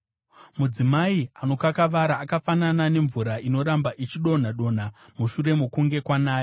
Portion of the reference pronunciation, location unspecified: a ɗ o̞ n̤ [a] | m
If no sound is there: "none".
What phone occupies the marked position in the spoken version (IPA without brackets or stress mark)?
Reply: a